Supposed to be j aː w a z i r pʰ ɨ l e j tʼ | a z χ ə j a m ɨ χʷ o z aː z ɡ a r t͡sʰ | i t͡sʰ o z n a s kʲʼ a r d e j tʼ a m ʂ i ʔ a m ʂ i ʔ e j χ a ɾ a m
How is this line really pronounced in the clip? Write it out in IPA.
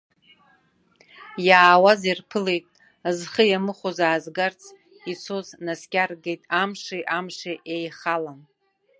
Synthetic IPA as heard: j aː w a z i r pʰ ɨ l e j tʼ | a z χ ə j a m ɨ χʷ o z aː z ɡ a r t͡sʰ | i t͡sʰ o z n a s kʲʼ a r ɡ e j tʼ a m ʂ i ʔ a m ʂ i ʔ e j χ a l a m